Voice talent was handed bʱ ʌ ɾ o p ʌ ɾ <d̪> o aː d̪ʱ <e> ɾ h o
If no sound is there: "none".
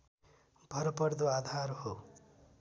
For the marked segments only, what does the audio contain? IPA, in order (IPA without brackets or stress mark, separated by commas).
d̪, a